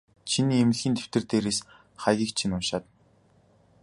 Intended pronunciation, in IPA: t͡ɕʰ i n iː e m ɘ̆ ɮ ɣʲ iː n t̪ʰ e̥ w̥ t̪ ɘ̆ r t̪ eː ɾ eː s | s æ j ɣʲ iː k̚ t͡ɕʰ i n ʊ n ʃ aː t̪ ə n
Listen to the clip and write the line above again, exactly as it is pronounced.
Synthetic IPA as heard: t͡ɕʰ i n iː e m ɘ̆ ɮ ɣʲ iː n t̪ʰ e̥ w̥ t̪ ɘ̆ r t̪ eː ɾ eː s | χ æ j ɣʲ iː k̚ t͡ɕʰ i n ʊ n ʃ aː t̪ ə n